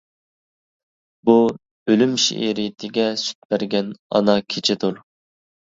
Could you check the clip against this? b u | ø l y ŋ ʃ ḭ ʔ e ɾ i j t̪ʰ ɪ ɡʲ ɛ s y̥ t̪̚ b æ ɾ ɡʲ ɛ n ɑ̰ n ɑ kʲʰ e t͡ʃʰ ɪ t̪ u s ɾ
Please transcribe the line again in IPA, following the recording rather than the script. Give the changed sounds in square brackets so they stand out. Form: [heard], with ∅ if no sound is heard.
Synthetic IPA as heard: b u | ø l y [m] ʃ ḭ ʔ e ɾ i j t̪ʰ ɪ ɡʲ ɛ s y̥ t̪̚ b æ ɾ ɡʲ ɛ n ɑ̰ n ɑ kʲʰ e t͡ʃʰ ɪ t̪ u [∅] ɾ